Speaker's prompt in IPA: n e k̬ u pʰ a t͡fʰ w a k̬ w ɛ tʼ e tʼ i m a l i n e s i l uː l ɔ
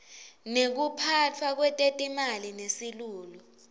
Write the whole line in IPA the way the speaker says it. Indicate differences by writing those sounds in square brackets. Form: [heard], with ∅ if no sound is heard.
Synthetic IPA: n e k̬ u pʰ a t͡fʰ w a k̬ w ɛ tʼ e tʼ i m a l i n e s i l uː l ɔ